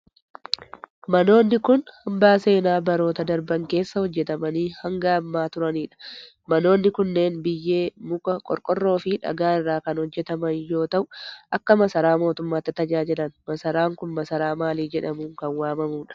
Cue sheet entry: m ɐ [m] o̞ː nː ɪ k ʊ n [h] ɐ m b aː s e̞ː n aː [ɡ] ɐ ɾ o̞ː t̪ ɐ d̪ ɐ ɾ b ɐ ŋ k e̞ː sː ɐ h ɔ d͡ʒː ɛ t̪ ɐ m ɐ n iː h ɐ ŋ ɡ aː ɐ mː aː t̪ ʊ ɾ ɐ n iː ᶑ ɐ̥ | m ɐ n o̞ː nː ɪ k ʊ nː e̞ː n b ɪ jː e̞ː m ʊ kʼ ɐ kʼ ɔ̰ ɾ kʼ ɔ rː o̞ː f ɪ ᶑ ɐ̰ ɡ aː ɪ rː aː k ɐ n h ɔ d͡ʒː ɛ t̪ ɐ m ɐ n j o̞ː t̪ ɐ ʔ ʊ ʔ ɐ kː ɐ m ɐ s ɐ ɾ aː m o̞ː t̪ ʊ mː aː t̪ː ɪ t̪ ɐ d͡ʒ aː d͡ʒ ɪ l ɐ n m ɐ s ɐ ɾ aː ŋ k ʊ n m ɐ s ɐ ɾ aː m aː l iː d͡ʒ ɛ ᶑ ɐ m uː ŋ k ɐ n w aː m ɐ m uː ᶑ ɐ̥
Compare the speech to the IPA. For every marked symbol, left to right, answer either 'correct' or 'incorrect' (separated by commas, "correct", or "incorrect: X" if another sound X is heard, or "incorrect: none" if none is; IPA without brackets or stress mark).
incorrect: n, correct, incorrect: b